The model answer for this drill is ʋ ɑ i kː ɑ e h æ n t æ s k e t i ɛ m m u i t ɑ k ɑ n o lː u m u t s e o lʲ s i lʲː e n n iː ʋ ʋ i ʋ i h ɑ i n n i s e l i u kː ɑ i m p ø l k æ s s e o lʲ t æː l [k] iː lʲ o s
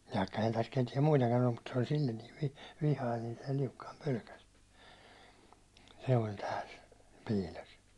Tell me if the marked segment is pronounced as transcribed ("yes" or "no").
no